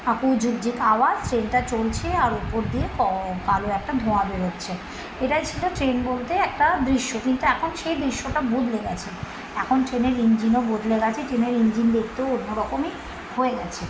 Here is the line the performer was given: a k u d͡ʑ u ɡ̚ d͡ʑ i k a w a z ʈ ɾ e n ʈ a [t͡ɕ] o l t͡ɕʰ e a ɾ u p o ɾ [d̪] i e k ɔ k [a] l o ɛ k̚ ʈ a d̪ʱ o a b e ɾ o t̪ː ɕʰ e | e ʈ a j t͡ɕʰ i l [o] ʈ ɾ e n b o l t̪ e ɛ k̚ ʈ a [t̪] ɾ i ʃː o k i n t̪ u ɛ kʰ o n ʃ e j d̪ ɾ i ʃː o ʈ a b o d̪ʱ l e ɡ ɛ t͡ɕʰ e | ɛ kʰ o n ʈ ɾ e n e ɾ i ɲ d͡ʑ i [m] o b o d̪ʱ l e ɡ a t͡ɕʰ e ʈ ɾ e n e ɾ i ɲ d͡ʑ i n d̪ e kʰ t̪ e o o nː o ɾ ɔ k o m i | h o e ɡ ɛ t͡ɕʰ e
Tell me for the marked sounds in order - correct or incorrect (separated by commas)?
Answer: correct, correct, correct, correct, incorrect, incorrect